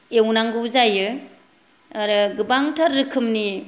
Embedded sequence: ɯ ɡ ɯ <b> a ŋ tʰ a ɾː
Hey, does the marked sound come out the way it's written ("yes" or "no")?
yes